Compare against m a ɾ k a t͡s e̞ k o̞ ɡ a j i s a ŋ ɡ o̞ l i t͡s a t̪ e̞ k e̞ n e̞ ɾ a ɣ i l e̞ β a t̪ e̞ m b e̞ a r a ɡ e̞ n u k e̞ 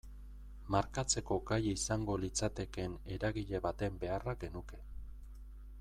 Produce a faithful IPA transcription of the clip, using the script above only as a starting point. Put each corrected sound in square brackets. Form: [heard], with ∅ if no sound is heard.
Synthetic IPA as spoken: m a ɾ k a t͡s e̞ k o̞ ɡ a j i s a ŋ ɡ o̞ l i t͡s a t̪ e̞ k e̞ n e̞ ɾ a ɣ i [ʎ] e̞ β a t̪ e̞ m b e̞ a r a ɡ e̞ n u k e̞